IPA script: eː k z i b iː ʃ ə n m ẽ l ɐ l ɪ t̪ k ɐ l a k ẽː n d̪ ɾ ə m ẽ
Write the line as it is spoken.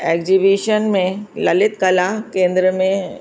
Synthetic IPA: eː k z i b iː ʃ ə n m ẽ l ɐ l ɪ t̪ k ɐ l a k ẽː n d̪ ɾ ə m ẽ